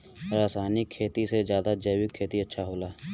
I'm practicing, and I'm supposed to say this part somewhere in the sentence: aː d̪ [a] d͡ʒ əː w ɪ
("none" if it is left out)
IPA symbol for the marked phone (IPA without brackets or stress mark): a